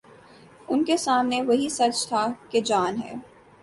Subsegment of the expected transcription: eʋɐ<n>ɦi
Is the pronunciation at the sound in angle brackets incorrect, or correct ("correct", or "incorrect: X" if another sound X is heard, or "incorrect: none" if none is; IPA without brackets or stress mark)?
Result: incorrect: none